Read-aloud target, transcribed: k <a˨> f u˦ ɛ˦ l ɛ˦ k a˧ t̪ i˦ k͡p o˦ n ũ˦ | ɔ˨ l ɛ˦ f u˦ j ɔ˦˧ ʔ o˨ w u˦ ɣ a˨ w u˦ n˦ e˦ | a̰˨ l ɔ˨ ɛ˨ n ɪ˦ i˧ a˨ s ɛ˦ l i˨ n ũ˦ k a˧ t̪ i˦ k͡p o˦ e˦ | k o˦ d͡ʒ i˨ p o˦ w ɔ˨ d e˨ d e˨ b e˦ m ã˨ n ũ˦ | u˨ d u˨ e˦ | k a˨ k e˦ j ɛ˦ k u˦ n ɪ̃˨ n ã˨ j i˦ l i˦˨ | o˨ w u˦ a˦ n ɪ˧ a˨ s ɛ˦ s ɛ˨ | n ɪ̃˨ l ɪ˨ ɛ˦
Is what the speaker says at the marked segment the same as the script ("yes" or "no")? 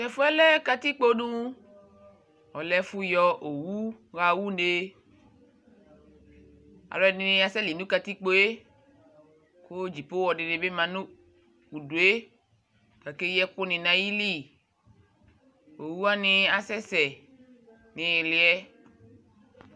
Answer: no